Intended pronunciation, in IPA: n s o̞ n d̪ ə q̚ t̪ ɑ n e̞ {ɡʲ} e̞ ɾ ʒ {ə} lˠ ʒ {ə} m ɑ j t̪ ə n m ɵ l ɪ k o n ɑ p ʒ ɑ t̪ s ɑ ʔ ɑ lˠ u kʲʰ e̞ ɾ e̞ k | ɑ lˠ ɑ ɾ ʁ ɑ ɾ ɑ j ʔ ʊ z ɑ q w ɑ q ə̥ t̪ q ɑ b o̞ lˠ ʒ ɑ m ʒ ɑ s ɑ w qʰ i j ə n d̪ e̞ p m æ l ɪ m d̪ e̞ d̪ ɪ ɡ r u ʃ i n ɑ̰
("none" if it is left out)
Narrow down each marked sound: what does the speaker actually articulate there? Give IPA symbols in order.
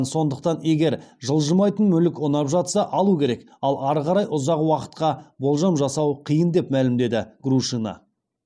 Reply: ɡʲ, ə, ə

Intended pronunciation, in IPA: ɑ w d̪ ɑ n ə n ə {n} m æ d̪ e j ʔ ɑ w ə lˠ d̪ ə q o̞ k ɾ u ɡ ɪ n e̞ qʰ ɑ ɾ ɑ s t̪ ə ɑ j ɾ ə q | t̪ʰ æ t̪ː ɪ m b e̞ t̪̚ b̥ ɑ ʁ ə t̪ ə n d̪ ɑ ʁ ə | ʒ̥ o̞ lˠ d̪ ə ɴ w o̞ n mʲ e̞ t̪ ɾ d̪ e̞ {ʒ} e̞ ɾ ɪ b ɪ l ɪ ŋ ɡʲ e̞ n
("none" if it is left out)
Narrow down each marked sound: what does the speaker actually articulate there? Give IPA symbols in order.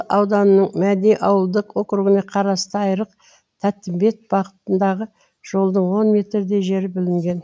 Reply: ɴ, ʒ

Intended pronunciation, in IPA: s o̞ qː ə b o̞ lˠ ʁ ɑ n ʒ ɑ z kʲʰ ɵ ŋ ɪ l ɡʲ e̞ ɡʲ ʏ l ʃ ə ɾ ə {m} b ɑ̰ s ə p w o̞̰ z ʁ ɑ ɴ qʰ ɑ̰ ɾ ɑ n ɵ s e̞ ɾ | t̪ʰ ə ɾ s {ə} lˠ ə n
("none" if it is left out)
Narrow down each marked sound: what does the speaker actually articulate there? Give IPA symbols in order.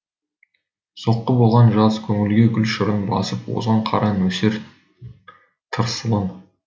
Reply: n, ə

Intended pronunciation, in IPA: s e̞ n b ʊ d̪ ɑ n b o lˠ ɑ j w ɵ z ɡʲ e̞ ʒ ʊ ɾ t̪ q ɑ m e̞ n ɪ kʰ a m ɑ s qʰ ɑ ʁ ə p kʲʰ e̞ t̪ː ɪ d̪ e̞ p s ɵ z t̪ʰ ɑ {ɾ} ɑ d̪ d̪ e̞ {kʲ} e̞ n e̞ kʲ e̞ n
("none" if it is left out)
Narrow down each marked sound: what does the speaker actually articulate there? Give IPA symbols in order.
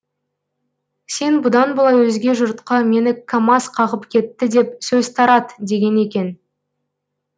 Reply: ɾ, ɡʲ

